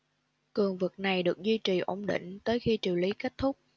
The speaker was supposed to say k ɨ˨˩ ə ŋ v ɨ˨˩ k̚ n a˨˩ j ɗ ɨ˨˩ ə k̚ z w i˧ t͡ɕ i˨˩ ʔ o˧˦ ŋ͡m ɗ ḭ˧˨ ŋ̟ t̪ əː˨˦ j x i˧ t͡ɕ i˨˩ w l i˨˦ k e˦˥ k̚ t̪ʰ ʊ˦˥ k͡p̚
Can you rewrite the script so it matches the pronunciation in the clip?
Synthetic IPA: k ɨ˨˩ ə ŋ v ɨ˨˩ k̚ n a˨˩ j ɗ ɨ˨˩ ə k̚ z w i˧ t͡ɕ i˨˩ ʔ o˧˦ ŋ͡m ɗ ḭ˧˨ ŋ̟ t̪ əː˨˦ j x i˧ t͡ɕ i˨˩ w l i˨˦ k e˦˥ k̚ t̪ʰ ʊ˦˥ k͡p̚

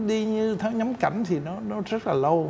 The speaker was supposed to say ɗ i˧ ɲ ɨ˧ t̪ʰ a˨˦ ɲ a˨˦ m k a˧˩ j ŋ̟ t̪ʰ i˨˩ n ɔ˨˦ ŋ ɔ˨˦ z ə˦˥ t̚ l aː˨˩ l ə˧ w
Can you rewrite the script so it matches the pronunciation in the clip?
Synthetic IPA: ɗ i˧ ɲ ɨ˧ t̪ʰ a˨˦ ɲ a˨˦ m k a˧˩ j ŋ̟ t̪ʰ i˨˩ n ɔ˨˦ n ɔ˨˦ z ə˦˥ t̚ l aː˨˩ l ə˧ w

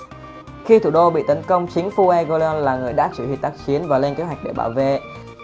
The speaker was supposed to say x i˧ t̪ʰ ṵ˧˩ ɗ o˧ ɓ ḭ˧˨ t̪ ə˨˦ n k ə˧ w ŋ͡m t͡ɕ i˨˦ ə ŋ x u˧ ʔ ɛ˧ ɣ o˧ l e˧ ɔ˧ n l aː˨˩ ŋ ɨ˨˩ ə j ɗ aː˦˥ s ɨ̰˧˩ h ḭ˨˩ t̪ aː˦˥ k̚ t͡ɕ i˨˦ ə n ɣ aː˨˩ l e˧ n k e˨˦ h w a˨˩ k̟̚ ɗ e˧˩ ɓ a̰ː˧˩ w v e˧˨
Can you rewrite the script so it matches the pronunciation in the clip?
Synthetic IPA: x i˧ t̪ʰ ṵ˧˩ ɗ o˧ ɓ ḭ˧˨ t̪ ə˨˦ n k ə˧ w ŋ͡m t͡ɕ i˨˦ ə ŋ f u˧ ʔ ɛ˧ ɣ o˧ l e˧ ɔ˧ n l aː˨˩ ŋ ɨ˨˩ ə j ɗ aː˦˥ s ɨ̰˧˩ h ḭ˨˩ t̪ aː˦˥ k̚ t͡ɕ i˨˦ ə n v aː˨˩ l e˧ n k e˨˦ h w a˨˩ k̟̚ ɗ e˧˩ ɓ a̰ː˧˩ w v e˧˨

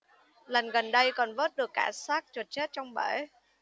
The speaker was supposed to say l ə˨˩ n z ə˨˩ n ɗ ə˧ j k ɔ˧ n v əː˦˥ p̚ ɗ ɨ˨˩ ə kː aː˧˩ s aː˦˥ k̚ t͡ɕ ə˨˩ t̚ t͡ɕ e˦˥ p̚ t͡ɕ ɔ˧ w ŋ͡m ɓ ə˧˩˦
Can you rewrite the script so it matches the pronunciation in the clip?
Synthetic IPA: l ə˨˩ n ɣ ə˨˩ n ɗ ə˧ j k ɔ˨˩ n v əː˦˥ t̚ ɗ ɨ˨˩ ə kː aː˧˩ s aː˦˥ k̚ t͡ɕ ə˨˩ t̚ t͡ɕ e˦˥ t̚ t͡ɕ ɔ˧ w ŋ͡m ɓ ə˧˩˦

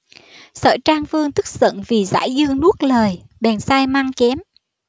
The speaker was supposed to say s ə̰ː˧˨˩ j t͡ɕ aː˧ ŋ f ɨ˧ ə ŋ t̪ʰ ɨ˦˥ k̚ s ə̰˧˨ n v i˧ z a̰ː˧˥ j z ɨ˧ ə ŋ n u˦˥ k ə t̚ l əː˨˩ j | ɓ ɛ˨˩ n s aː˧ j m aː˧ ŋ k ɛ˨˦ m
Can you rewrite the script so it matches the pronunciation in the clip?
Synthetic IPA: s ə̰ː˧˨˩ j t͡ɕ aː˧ ŋ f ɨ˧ ə ŋ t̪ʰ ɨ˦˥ k̚ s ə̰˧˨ n v i˨˩ z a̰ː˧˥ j z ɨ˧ ə ŋ n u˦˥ ə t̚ l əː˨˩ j | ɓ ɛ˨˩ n s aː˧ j m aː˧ ŋ k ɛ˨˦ m

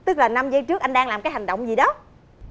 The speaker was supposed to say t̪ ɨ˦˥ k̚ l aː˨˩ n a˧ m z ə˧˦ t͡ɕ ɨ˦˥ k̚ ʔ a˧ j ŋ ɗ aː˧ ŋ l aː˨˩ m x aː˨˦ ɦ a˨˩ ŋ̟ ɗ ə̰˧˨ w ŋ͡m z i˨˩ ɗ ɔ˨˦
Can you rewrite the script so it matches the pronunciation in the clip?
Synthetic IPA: t̪ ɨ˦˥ k̚ l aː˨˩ n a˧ m z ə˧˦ t͡ɕ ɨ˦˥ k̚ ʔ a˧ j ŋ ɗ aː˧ ŋ l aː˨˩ m k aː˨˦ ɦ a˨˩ ŋ̟ ɗ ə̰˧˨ w ŋ͡m z i˨˩ ɗ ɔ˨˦

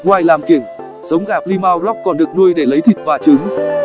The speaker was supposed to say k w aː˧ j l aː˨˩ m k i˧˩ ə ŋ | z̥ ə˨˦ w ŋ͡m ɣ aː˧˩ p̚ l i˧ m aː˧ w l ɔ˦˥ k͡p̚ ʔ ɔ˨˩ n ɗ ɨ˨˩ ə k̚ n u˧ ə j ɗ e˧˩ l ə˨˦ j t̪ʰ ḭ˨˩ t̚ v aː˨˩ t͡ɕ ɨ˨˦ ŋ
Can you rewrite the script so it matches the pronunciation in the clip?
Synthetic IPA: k w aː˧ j l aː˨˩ m k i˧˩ ə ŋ | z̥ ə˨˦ w ŋ͡m ɣ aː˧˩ p̚ l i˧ m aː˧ w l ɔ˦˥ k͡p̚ k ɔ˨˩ n ɗ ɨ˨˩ ə k̚ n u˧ ə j ɗ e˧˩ l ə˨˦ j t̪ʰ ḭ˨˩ t̚ v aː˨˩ t͡ɕ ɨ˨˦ ŋ

